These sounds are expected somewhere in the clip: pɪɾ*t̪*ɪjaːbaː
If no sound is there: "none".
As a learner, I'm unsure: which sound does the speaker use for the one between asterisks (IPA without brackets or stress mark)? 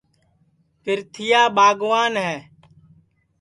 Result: t̪ʰ